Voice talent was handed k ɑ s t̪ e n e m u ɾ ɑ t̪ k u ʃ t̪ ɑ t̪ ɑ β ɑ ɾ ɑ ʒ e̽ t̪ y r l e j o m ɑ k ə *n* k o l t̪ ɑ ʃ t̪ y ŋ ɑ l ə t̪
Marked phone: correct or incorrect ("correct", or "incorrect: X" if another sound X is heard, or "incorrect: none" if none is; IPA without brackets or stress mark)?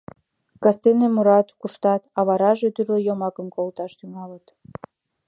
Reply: incorrect: m